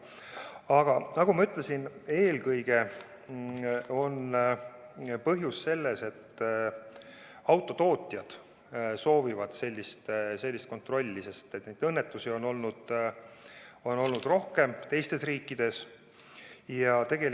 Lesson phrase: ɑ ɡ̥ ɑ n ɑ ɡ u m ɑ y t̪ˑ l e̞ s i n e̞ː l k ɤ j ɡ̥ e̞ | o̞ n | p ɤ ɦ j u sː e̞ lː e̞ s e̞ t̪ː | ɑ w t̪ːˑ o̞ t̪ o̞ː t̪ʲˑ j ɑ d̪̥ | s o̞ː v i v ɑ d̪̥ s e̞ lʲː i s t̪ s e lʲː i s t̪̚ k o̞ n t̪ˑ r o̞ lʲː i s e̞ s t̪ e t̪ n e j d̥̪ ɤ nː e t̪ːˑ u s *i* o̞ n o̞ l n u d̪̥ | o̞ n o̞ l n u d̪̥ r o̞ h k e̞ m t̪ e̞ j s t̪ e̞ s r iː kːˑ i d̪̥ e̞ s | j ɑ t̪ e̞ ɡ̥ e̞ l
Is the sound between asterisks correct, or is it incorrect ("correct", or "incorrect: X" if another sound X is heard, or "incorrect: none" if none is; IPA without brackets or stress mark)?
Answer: correct